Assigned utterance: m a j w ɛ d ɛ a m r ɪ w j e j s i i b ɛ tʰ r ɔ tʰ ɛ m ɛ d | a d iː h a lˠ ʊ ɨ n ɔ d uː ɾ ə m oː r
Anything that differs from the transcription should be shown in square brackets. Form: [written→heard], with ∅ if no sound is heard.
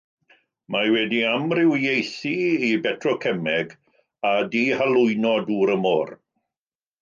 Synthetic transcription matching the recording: m a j w ɛ d [ɛ→i] a m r ɪ w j e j [s→θ] i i b ɛ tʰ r ɔ [tʰ→kʰ] ɛ m ɛ [d→ɡ] | a d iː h a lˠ ʊ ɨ n ɔ d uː ɾ ə m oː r